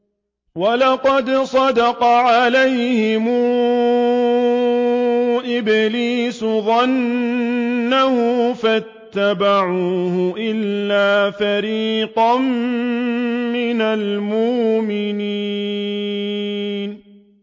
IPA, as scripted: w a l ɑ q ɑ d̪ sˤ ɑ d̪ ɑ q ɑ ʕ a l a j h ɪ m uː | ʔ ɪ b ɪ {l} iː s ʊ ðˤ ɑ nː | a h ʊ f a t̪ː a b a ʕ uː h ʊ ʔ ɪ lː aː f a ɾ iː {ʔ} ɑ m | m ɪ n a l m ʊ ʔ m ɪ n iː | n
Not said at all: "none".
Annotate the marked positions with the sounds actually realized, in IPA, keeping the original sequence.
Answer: l, q

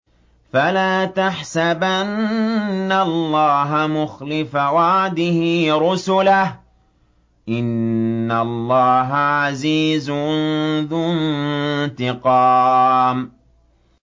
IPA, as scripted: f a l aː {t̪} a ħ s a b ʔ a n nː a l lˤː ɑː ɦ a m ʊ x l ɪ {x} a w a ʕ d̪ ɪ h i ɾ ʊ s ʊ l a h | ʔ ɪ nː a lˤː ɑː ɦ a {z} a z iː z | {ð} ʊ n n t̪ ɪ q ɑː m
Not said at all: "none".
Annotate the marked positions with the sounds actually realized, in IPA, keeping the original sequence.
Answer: t̪, f, ʕ, ð

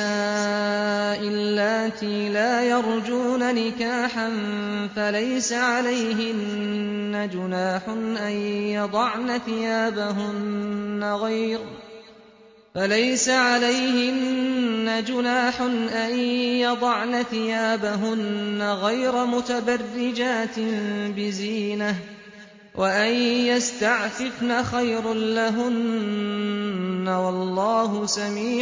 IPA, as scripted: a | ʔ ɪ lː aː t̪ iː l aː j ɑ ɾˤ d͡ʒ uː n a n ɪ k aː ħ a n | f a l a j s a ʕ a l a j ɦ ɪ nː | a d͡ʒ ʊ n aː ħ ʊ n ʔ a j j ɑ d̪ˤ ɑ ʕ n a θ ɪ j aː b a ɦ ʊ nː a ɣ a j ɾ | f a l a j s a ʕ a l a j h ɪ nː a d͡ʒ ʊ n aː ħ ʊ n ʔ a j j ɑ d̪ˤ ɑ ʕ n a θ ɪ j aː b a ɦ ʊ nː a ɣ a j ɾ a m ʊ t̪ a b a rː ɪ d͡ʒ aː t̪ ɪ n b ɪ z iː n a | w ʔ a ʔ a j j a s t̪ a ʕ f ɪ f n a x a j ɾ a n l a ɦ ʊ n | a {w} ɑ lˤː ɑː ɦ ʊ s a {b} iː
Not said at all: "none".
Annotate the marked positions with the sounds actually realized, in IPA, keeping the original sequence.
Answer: w, m

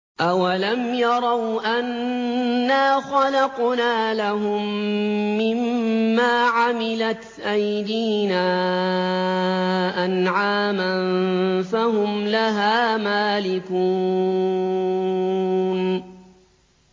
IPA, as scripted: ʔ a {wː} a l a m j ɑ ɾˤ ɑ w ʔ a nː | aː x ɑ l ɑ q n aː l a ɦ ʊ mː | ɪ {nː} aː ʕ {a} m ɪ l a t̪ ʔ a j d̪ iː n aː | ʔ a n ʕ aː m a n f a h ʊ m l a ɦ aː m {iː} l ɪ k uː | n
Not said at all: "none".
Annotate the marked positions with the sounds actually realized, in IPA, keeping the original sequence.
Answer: w, mː, a, aː

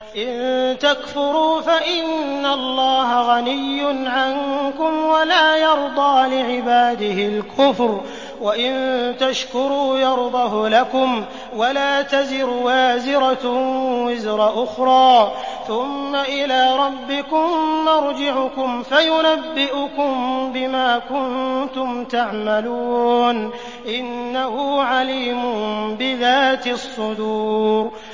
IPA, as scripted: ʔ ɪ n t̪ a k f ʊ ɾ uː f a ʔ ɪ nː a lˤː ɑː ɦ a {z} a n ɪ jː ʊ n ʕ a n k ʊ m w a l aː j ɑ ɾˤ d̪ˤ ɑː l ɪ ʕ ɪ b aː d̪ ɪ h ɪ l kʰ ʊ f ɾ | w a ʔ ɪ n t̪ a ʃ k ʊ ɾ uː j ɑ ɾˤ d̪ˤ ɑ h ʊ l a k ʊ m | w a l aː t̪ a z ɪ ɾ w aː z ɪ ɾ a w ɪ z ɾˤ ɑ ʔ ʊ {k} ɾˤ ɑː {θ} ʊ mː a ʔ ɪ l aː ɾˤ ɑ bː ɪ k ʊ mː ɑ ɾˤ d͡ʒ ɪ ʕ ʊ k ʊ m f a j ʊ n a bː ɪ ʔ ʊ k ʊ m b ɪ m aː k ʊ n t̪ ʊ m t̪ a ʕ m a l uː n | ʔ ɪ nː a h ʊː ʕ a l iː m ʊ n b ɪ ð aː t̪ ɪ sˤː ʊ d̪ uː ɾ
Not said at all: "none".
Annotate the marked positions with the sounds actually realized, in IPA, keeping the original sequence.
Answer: ɣ, x, θ

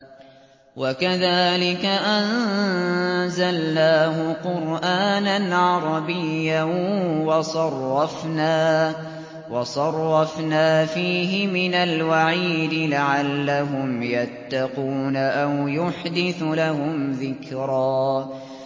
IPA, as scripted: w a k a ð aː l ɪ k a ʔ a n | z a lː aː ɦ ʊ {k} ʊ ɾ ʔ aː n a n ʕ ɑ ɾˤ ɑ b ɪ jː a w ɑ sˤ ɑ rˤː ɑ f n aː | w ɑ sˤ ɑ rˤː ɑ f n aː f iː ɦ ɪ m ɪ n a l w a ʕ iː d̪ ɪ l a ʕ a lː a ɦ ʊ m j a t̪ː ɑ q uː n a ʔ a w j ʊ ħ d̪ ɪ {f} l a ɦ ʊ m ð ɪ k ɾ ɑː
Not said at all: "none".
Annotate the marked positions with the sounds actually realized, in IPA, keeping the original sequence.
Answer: q, θ

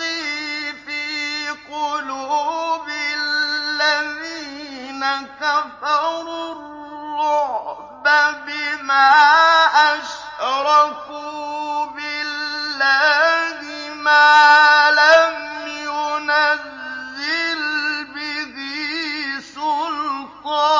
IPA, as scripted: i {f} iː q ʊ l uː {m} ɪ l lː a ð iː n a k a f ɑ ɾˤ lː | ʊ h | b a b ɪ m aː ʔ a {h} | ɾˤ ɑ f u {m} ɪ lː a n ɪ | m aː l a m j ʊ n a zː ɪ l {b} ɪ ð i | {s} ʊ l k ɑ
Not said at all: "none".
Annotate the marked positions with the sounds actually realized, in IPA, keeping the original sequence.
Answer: f, b, ʃ, b, b, s

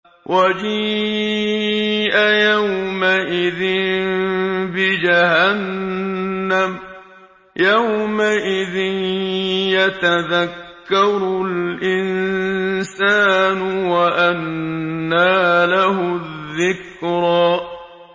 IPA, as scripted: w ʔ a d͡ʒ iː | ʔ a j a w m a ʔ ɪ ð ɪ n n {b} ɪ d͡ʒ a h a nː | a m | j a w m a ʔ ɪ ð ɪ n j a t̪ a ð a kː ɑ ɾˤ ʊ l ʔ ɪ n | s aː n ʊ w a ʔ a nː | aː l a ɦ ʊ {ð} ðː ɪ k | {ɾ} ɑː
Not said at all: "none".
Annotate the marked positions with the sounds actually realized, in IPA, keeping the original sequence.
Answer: b, ð, ɾ

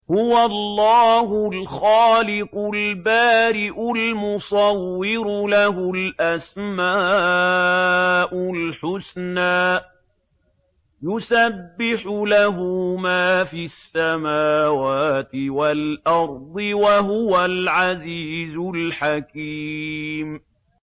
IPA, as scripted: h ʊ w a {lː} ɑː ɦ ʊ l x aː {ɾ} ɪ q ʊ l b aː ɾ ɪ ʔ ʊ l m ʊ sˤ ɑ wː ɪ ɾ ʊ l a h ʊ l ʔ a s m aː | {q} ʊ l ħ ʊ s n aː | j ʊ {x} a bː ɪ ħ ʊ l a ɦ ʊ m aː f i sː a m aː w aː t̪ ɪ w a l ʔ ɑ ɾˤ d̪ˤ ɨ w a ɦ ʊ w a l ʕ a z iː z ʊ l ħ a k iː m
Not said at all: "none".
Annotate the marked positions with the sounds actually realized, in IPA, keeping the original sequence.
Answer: lː, l, ʔ, s

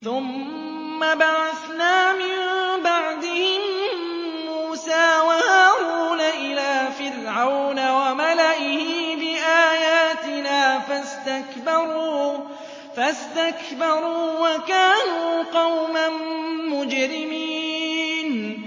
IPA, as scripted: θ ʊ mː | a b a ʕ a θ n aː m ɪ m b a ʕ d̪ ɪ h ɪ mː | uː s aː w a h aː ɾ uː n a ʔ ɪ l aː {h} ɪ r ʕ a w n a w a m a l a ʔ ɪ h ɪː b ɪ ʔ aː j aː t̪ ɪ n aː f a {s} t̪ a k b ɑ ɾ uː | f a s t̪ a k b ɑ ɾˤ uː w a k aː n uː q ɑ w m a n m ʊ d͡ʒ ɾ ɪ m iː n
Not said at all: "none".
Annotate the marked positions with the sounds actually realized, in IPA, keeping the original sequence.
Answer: f, s

